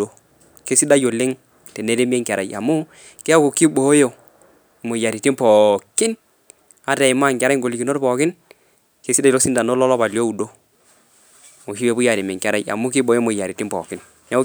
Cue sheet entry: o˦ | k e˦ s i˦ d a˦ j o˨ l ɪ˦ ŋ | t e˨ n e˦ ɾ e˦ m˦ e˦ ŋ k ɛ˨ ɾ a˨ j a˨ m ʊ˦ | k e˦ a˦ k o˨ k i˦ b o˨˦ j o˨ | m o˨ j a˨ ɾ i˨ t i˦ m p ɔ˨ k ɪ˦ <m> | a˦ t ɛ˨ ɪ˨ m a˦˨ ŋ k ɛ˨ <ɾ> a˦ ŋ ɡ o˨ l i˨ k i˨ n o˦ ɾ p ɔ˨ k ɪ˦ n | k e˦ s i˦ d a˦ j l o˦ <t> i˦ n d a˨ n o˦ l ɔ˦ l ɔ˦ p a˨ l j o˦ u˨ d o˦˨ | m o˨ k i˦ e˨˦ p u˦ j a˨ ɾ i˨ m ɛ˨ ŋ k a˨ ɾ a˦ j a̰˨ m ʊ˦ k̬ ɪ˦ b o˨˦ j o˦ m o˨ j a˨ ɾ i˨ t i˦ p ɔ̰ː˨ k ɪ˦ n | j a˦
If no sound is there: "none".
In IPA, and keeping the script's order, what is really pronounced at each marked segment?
n, ɾ, s

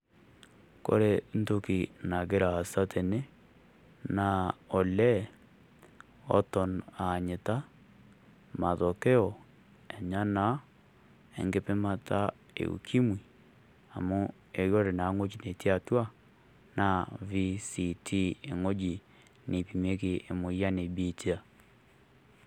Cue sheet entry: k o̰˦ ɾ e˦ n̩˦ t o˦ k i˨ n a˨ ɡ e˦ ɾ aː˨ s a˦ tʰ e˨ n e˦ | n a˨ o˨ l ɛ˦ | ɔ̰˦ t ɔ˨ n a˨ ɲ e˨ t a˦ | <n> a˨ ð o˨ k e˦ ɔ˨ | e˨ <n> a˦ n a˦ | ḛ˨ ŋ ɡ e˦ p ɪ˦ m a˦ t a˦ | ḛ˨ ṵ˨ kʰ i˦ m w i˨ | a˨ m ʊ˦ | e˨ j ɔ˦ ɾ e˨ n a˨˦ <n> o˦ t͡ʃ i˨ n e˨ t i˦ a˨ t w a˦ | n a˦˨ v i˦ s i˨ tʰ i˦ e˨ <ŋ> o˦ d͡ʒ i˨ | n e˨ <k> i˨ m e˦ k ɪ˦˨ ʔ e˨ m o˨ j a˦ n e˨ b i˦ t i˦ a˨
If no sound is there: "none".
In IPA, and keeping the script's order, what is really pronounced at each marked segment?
m, ɲ, ŋ, ŋ, p

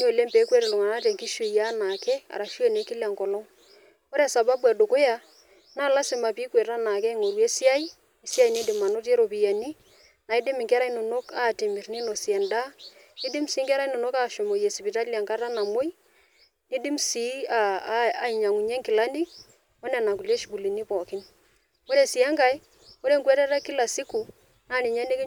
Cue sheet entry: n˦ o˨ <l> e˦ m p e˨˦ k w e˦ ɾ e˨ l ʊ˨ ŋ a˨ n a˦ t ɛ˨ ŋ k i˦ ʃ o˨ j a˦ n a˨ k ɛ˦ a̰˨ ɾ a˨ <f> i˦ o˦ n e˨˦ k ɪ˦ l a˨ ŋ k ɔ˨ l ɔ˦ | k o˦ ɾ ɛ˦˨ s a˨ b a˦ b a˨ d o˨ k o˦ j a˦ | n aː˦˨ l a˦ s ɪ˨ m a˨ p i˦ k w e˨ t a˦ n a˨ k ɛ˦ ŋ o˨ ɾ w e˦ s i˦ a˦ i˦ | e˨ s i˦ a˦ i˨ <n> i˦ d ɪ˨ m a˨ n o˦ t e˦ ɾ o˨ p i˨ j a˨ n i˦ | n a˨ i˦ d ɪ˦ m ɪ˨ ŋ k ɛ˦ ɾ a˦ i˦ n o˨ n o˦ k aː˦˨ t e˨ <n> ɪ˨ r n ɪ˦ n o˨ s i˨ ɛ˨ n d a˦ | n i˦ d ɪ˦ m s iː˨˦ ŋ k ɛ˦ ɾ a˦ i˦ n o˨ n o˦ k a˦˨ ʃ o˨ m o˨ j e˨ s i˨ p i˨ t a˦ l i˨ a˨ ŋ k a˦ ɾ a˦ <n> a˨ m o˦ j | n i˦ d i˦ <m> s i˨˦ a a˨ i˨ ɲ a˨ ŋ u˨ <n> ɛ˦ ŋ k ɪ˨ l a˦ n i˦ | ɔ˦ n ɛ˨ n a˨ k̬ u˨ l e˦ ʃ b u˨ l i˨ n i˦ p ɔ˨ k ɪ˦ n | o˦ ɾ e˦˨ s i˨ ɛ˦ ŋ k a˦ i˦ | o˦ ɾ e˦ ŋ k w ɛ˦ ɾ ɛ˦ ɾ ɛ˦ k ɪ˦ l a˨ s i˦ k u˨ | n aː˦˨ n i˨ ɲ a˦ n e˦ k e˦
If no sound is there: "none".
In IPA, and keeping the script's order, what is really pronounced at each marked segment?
l, ʃ, n, m, n, m, ɲ

